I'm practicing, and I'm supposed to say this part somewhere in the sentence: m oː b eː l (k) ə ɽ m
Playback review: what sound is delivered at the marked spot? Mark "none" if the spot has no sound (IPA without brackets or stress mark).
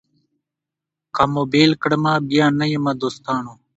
k